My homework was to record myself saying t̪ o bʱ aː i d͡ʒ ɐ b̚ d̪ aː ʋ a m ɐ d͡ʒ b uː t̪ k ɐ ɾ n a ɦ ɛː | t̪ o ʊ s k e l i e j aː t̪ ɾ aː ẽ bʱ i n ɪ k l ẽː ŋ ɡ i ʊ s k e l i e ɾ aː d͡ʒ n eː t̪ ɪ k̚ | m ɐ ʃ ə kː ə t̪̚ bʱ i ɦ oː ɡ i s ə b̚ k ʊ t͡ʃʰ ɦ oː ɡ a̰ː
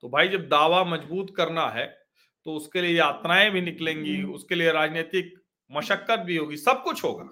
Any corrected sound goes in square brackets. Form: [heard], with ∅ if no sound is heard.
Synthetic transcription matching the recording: t̪ o bʱ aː i d͡ʒ ɐ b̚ d̪ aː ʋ a m ɐ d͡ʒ b uː t̪ k ɐ ɾ n a ɦ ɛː | t̪ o ʊ s k e l i e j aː t̪ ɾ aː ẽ bʱ i n ɪ k l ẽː ŋ ɡ i ʊ s k e l i e ɾ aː d͡ʒ n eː t̪ ɪ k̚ | m ɐ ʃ ə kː ə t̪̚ bʱ i ɦ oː ɡ i s [ɐ] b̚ k ʊ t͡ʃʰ ɦ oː ɡ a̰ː